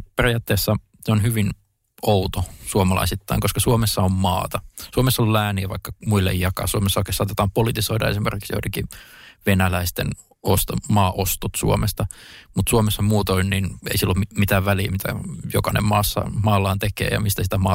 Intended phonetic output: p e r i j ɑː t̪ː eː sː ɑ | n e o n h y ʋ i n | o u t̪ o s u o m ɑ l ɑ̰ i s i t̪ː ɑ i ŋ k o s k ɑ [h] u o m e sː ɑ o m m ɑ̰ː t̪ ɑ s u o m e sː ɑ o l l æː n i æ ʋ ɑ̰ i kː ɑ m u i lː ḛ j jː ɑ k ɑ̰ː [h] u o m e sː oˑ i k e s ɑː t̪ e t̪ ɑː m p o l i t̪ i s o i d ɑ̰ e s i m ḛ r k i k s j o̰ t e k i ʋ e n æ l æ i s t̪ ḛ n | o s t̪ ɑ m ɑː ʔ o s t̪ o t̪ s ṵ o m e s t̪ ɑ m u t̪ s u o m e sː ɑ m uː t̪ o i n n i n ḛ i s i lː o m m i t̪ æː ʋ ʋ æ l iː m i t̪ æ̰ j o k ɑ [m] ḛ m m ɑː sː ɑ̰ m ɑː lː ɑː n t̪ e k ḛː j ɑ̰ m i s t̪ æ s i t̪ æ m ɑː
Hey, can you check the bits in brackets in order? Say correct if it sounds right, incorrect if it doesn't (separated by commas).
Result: incorrect, incorrect, incorrect